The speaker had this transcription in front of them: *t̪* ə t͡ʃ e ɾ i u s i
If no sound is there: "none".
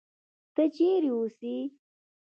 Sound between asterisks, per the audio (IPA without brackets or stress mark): t̪